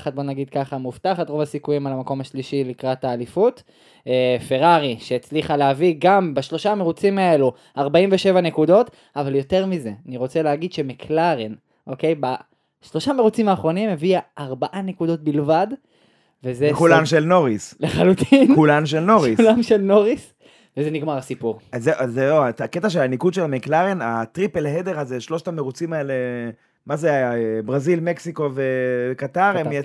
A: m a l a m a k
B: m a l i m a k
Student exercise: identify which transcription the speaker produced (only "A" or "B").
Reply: A